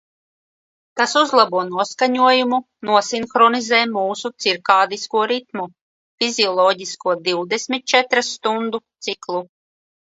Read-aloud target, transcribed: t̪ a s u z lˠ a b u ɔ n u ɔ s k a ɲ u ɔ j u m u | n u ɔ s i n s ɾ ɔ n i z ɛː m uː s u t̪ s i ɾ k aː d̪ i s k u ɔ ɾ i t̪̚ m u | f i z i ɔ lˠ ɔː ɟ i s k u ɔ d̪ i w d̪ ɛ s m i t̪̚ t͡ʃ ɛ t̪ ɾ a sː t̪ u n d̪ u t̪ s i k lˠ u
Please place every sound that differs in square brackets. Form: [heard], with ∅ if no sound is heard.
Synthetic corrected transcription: t̪ a s u z lˠ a b u ɔ n u ɔ s k a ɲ u ɔ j u m u | n u ɔ s i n [x] ɾ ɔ n i z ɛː m uː s u t̪ s i ɾ k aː d̪ i s k u ɔ ɾ i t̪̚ m u | f i z i ɔ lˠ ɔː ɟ i s k u ɔ d̪ i w d̪ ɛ s m i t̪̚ t͡ʃ ɛ t̪ ɾ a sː t̪ u n d̪ u t̪ s i k lˠ u